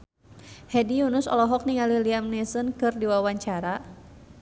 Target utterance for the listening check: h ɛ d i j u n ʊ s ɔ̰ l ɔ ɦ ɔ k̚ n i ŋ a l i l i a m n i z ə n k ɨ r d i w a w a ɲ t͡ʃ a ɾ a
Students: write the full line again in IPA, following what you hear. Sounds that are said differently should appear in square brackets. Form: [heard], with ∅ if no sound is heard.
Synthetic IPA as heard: h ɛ d i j u n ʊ s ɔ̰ l ɔ ɦ ɔ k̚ n i ŋ a l i l i a m n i [s] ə n k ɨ r d i w a w a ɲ t͡ʃ a ɾ a